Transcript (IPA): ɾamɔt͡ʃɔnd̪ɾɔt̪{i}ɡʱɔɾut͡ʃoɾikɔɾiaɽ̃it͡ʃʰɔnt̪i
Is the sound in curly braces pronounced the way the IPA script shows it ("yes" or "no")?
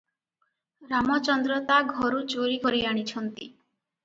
no